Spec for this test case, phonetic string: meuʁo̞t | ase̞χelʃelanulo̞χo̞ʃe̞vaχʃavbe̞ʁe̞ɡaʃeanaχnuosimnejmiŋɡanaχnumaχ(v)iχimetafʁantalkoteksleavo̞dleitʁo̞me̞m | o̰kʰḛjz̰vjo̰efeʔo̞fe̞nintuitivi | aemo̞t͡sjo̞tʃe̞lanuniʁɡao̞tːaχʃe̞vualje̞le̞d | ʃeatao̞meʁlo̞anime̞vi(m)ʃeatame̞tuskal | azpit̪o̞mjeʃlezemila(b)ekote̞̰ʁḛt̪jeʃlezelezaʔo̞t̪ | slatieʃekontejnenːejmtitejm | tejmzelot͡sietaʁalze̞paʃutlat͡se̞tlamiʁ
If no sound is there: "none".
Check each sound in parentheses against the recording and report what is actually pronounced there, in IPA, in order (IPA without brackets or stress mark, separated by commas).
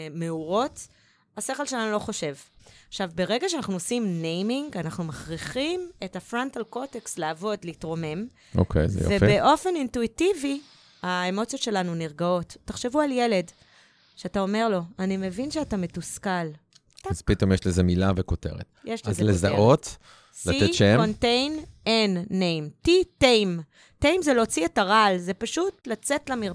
ʁ, n, v